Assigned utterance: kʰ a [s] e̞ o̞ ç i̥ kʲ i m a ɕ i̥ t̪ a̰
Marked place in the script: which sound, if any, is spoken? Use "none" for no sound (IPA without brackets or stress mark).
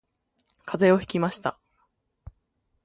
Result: z